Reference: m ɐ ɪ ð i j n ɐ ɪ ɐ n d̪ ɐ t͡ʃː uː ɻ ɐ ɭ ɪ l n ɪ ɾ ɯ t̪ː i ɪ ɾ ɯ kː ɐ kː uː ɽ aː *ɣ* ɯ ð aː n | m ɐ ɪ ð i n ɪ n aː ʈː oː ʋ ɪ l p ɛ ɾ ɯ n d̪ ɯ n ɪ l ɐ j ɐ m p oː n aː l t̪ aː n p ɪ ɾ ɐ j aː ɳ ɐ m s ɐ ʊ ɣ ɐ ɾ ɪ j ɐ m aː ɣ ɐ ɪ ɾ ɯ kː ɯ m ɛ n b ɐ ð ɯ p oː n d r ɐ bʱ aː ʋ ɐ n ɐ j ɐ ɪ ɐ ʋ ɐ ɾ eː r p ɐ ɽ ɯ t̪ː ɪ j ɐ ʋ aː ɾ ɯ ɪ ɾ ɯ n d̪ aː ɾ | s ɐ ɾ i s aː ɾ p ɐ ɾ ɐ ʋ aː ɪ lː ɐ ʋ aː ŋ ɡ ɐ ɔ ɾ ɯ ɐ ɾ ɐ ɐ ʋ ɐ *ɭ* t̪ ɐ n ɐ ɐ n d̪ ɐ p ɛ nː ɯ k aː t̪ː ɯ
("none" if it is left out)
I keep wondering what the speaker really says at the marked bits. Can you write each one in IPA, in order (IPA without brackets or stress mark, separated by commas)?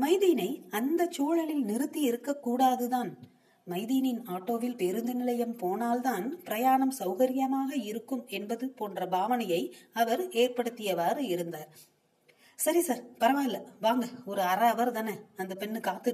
ð, ɾ